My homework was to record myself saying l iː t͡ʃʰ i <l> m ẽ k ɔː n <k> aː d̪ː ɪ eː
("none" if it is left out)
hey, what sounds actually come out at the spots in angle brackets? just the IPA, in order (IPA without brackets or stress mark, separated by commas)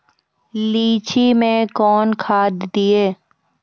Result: none, kʰ